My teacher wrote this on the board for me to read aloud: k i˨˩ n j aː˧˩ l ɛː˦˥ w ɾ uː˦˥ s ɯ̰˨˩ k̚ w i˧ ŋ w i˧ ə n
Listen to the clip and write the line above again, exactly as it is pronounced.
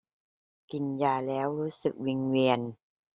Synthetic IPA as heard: k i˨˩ n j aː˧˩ l ɛː˦˥ w ɾ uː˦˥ s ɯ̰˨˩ k̚ w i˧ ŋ w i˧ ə n